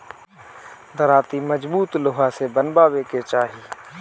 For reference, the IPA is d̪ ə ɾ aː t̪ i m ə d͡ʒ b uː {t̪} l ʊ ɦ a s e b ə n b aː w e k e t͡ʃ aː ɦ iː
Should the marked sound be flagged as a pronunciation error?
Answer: no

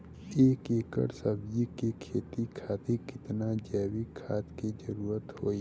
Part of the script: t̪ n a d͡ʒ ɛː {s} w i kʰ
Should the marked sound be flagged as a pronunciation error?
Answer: yes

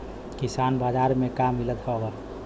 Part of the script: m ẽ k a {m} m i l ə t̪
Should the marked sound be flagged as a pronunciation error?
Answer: no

